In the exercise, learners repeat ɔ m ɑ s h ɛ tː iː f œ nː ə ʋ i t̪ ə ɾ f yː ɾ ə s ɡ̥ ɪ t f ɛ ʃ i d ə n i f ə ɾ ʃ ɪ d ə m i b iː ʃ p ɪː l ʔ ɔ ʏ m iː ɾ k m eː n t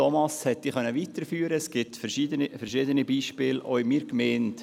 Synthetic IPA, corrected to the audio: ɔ m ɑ s h ɛ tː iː χ œ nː ə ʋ i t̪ ə ɾ f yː ɾ ə s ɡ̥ ɪ t f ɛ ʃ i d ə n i f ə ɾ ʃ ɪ d ə n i b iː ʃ p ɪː l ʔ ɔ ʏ m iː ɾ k m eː n t